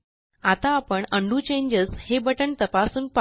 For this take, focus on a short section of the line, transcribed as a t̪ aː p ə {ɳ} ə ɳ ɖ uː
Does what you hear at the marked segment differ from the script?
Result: no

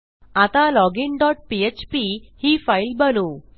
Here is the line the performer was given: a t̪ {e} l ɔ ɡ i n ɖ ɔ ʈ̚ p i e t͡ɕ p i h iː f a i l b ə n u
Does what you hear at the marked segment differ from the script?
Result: yes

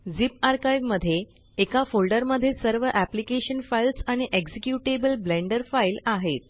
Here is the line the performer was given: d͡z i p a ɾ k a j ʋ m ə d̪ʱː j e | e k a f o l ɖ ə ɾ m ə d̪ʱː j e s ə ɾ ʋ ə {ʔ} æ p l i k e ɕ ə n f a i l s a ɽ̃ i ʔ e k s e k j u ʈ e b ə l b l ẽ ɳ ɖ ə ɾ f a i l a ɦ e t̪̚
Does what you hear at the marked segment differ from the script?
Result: no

